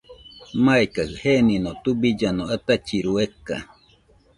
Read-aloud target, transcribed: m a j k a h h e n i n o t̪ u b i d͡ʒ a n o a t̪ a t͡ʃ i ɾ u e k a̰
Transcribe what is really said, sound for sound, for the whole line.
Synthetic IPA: m a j k a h h e n i n o t̪ u b i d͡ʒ a n o a t̪ a t͡ʃ i ɾ u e k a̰